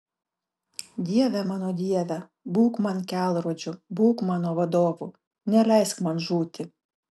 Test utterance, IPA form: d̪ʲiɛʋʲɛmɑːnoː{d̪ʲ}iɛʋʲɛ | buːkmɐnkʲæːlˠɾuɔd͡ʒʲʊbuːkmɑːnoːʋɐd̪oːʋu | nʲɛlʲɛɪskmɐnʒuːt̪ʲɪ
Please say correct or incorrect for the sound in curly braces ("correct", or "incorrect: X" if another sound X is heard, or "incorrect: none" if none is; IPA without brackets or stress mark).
correct